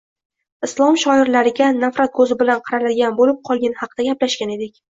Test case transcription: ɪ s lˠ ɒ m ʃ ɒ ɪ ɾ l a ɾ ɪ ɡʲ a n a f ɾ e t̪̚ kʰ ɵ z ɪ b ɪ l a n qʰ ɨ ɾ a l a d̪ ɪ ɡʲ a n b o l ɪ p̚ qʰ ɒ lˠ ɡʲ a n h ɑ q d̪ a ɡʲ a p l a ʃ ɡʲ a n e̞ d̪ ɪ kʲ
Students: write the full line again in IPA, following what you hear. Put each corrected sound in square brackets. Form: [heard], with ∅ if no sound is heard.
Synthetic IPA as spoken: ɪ s lˠ ɒ m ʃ ɒ ɪ ɾ l a ɾ ɪ ɡʲ a n a f ɾ [a] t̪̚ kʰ ɵ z ɪ b ɪ l a n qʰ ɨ ɾ a l a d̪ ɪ ɡʲ a n b o l ɪ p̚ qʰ ɒ lˠ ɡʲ a n h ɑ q d̪ a ɡʲ a p l a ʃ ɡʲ a n e̞ d̪ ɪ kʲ